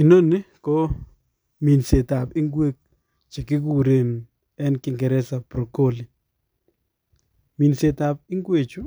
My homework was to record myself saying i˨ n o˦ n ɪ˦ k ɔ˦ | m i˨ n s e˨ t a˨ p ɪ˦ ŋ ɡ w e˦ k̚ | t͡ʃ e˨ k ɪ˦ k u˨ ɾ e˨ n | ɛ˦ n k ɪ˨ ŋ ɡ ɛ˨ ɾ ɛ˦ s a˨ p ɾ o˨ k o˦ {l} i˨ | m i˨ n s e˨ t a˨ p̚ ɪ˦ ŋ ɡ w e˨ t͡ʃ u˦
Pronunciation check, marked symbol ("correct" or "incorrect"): correct